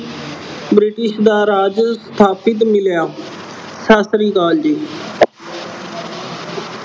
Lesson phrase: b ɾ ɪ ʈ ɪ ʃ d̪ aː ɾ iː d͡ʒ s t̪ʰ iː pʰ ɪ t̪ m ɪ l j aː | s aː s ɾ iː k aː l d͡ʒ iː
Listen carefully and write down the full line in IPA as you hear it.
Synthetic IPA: b ɾ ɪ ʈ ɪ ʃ d̪ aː ɾ aː d͡ʒ s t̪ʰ aː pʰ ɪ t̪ m ɪ l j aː | s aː s ɾ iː k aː l d͡ʒ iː